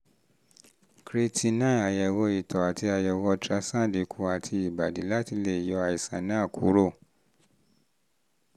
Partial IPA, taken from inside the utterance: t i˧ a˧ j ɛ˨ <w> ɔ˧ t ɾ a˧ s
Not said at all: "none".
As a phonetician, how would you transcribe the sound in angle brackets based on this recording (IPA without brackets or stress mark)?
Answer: w